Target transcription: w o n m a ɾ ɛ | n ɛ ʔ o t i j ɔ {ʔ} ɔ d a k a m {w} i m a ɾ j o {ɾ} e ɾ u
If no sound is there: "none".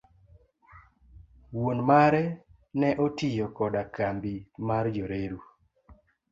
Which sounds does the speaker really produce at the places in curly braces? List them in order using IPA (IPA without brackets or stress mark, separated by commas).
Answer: k, b, ɾ